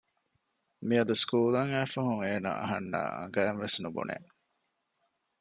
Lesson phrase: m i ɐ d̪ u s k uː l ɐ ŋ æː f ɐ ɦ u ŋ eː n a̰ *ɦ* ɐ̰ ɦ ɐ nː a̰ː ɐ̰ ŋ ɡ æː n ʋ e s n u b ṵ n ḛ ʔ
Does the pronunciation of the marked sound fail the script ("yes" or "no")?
yes